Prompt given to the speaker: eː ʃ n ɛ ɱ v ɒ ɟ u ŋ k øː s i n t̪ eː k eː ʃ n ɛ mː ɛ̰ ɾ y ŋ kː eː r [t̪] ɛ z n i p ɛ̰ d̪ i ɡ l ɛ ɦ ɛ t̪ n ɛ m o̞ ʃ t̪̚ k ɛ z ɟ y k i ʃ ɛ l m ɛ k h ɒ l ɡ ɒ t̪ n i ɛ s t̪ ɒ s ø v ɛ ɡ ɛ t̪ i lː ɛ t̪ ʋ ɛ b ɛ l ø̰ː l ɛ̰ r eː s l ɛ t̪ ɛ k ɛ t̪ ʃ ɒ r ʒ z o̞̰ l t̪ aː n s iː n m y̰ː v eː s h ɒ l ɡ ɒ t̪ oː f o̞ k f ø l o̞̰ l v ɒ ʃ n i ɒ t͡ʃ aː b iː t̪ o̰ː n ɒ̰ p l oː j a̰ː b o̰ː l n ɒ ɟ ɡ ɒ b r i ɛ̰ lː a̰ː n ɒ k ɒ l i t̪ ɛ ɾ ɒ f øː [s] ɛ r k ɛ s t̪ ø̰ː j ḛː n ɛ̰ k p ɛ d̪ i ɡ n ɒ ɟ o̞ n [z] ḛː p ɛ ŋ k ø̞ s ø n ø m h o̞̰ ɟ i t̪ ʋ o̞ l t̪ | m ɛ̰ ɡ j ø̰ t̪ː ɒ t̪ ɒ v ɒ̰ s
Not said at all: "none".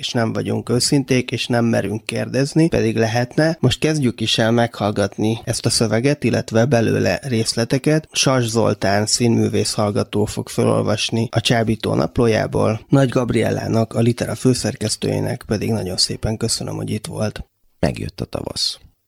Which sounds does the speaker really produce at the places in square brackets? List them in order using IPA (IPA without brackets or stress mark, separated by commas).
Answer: d̪, s, s